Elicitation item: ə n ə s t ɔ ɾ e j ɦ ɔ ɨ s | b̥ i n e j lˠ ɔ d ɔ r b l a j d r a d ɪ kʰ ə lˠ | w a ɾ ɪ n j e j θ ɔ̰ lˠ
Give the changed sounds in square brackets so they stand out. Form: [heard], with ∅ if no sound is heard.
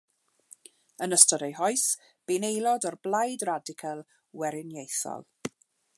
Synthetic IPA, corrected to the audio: ə n ə s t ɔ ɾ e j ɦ ɔ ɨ s | b̥ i n e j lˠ ɔ d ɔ r b l a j d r a d ɪ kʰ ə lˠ | w [ɛ] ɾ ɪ n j e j θ ɔ̰ lˠ